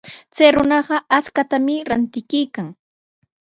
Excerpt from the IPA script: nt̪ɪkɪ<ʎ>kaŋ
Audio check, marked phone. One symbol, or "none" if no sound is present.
j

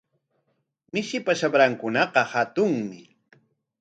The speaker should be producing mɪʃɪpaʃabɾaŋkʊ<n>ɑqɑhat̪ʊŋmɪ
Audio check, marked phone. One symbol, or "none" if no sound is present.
n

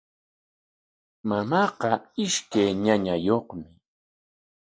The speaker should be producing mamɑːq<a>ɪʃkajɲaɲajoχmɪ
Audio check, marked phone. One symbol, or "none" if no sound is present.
ɑ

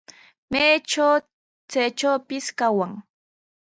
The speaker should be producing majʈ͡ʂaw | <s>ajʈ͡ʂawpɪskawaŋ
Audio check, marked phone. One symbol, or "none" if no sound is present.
t͡s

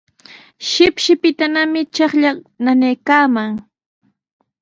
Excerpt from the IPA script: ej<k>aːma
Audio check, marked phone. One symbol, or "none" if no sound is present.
k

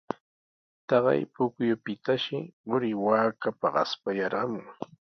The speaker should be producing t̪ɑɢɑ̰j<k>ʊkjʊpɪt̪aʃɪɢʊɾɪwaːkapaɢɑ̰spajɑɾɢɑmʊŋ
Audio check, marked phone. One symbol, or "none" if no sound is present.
p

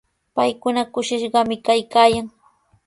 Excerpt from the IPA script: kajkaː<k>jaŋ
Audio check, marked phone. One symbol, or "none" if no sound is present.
none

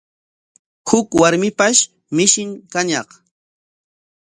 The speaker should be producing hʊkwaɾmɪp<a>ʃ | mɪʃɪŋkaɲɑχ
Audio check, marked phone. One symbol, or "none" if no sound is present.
a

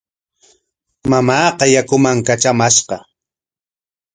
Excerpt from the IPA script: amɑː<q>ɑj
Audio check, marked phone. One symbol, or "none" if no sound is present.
q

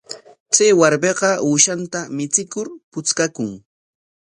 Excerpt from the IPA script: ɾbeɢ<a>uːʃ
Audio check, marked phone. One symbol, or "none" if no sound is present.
ɑ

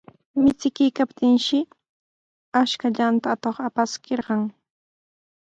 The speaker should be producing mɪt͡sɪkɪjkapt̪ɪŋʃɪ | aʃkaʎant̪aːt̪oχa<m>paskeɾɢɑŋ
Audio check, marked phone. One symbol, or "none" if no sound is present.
none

